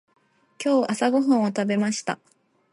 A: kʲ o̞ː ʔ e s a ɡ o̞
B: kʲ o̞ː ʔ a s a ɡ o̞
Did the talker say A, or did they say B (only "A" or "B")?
B